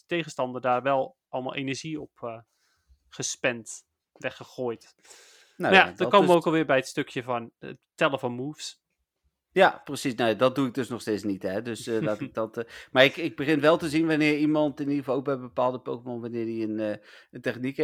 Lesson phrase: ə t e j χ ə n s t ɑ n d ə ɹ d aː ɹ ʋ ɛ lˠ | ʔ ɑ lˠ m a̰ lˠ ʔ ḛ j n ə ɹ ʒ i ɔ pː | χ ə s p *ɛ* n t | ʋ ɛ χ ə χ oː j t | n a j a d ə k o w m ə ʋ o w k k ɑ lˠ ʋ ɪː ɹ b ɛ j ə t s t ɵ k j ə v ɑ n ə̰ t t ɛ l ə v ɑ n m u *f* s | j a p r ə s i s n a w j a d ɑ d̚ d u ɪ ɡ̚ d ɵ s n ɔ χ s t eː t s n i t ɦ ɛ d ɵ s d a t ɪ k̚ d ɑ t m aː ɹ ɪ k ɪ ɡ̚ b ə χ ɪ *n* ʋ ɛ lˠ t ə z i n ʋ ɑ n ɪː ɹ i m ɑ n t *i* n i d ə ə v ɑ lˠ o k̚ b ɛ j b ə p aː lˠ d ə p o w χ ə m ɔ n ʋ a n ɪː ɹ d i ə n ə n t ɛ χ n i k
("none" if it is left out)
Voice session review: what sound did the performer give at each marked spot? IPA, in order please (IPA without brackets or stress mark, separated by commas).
ɛ, f, n, ɪ